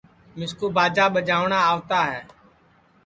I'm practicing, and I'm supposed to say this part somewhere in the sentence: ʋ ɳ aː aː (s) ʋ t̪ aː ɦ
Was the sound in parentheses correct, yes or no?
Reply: no